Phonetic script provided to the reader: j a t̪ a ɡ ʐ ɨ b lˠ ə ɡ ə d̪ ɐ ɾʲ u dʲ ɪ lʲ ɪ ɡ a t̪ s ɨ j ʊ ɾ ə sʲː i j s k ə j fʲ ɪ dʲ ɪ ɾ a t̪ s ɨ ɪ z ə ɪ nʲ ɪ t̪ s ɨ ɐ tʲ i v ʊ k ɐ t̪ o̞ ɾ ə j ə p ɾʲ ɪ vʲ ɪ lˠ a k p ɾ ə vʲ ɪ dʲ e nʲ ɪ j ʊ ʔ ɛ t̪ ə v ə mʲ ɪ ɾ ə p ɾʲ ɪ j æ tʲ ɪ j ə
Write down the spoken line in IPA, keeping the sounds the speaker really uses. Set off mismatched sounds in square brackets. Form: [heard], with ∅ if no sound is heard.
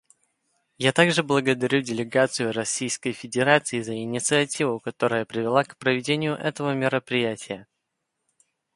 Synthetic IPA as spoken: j a t̪ a ɡ ʐ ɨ b lˠ ə ɡ ə d̪ ɐ ɾʲ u dʲ ɪ lʲ ɪ ɡ a t̪ s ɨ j ʊ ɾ [ɐ] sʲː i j s k ə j fʲ ɪ dʲ ɪ ɾ a t̪ s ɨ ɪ z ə ɪ nʲ ɪ t̪ s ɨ ɐ tʲ i v ʊ k ɐ t̪ o̞ ɾ ə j ə p ɾʲ ɪ vʲ ɪ lˠ a k p ɾ ə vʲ ɪ dʲ e nʲ ɪ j ʊ ʔ ɛ t̪ ə v ə mʲ ɪ ɾ ə p ɾʲ ɪ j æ tʲ ɪ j ə